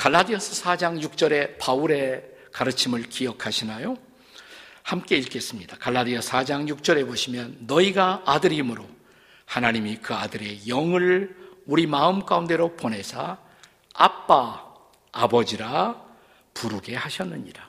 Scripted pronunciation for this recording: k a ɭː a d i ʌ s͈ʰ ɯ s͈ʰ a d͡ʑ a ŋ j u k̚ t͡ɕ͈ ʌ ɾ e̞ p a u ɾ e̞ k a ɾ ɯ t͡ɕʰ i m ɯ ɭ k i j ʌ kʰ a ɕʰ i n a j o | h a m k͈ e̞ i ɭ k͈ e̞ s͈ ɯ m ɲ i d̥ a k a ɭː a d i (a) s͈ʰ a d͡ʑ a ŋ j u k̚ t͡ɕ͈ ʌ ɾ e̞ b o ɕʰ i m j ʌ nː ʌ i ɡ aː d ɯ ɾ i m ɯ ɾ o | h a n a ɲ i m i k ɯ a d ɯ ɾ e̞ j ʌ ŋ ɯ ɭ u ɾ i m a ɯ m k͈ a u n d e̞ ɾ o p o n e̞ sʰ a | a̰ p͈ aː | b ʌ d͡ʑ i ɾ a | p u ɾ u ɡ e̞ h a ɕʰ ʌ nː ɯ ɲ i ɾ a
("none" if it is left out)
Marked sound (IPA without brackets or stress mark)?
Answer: ʌ